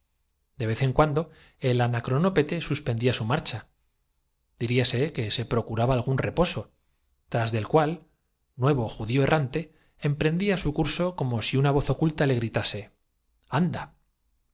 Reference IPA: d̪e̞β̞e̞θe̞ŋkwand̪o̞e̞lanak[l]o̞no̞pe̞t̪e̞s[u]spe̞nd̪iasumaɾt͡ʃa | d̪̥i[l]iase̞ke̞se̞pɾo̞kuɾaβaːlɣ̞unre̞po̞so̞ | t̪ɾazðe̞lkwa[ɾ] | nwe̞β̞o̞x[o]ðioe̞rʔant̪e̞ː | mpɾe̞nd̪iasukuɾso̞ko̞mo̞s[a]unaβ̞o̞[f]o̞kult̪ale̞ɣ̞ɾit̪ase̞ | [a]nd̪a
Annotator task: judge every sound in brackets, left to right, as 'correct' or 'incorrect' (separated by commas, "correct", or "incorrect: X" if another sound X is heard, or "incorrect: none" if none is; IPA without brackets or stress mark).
incorrect: ɾ, correct, incorrect: ɾ, incorrect: l, incorrect: u, incorrect: i, incorrect: θ, correct